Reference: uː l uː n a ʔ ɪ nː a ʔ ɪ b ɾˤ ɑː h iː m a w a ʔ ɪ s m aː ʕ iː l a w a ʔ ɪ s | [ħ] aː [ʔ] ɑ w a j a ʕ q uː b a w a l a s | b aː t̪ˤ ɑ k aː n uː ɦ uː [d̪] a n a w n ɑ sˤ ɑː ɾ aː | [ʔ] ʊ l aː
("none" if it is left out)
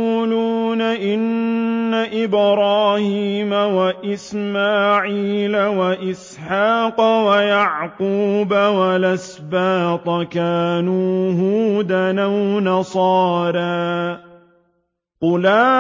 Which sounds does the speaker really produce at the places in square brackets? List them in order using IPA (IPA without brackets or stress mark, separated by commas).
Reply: ħ, q, d̪, q